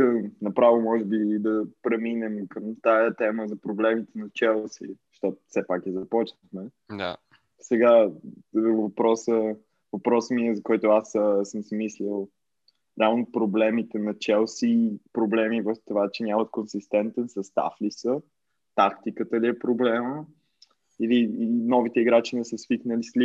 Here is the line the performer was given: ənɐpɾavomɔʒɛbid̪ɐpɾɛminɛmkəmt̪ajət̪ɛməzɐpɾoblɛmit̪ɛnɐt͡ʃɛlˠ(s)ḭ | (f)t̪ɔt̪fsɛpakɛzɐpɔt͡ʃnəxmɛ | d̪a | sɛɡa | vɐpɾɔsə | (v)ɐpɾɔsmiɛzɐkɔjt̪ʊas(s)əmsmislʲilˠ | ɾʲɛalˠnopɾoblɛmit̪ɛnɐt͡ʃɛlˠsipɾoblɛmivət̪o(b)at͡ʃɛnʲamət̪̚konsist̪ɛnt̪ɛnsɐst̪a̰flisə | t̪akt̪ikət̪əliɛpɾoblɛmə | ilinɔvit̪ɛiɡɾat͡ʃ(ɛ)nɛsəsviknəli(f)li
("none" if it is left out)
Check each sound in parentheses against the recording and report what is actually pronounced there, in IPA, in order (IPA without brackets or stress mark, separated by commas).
s, ʃ, v, s, v, i, s